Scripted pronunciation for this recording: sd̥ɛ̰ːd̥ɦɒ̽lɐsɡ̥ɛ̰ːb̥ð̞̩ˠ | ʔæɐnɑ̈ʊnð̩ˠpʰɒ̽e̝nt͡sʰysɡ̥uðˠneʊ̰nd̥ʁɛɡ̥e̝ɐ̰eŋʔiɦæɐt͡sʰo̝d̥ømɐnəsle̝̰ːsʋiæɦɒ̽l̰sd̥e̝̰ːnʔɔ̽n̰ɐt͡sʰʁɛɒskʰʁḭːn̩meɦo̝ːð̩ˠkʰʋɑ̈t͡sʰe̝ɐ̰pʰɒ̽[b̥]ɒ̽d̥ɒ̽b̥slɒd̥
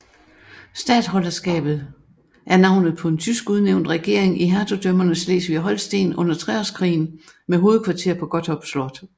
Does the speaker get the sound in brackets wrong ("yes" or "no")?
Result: yes